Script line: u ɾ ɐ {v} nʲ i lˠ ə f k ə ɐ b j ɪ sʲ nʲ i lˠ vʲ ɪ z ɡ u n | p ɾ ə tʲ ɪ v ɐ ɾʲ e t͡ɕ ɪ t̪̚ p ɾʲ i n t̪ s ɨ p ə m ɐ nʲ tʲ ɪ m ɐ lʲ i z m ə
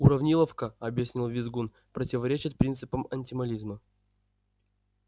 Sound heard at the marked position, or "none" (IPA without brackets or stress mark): v